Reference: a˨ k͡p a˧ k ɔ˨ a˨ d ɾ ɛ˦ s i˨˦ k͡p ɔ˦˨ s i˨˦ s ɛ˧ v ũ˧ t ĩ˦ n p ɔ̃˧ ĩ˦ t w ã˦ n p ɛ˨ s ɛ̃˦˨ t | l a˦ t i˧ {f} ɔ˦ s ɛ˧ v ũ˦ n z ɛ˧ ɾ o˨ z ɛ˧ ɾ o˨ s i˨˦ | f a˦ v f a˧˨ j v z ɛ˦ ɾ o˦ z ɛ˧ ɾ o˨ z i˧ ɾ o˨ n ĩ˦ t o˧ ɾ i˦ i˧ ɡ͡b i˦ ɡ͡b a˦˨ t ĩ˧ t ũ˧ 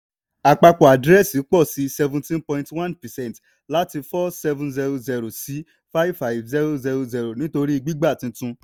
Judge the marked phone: correct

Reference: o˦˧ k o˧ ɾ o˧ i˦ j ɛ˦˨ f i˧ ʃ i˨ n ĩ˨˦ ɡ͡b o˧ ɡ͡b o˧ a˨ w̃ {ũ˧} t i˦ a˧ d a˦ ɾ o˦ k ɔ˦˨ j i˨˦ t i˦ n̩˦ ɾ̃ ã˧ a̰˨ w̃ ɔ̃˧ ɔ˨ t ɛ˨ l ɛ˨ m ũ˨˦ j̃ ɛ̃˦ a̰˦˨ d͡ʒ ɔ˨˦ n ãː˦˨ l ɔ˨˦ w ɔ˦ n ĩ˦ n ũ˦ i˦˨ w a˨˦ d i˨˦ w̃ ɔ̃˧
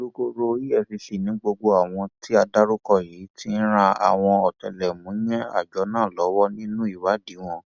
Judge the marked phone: incorrect: ɔ̃˧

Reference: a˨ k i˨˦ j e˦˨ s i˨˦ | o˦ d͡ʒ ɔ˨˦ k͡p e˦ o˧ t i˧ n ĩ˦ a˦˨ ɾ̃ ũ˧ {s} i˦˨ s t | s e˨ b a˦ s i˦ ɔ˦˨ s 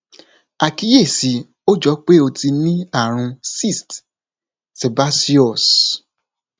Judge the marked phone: correct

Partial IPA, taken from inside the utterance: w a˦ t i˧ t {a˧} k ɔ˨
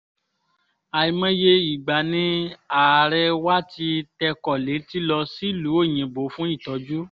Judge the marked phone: incorrect: ɛ˧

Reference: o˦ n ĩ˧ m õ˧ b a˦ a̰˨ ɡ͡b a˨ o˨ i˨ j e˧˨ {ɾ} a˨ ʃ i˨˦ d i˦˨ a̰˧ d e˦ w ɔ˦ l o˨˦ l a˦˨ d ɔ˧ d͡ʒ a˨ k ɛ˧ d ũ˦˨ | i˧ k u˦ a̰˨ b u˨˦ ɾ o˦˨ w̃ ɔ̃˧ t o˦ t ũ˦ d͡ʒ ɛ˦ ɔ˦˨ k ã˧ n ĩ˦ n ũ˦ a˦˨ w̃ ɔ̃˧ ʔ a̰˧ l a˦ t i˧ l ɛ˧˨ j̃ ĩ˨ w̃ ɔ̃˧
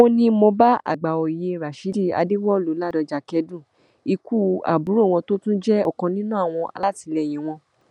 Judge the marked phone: correct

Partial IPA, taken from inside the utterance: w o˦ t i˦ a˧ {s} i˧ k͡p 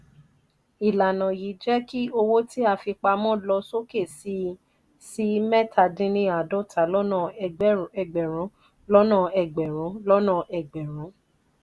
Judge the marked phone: incorrect: f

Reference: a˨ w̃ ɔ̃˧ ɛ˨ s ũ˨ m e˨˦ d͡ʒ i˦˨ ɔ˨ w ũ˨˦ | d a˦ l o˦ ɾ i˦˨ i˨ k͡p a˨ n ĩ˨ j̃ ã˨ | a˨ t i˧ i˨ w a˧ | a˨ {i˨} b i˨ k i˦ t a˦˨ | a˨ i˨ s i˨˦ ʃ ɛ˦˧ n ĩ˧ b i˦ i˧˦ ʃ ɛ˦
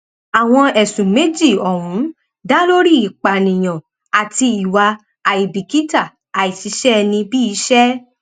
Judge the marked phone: correct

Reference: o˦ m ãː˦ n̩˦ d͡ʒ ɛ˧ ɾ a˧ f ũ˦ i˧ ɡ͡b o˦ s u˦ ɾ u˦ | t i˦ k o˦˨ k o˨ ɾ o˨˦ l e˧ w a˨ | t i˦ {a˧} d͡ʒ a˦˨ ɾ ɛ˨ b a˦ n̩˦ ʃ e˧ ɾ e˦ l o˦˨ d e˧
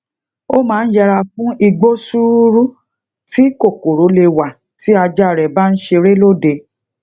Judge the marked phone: correct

